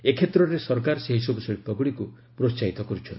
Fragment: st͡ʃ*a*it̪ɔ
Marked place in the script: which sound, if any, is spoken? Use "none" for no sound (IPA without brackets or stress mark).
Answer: a